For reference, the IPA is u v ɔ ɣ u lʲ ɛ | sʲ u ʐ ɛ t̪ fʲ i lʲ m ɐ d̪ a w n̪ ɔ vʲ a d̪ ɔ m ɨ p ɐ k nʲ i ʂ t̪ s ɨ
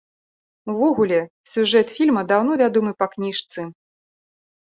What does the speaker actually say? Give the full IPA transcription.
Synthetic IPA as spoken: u v ɔ ɣ u lʲ ɛ | sʲ u ʐ ɛ t̪ fʲ i lʲ m ɐ d̪ a w n̪ ɔ vʲ a d̪ ɔ m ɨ p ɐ k nʲ i ʂ t̪ s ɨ